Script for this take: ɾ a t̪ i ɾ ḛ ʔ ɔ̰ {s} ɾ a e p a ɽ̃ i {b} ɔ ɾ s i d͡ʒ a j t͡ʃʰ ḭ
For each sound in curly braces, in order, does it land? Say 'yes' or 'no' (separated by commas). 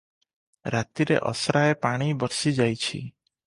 yes, yes